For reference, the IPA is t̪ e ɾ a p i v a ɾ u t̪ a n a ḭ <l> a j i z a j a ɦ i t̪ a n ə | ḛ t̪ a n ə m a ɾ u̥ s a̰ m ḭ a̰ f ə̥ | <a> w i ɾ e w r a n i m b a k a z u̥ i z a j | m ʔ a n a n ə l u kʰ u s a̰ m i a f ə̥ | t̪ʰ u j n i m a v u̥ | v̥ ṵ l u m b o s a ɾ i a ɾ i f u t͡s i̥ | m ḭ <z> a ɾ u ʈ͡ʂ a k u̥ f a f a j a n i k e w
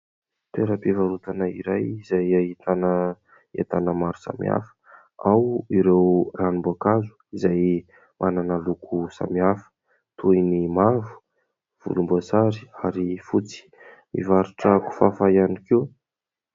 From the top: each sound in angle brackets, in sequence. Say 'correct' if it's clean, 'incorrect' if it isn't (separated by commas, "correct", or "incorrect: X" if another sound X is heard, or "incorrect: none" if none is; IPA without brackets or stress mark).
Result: incorrect: ɾ, correct, incorrect: v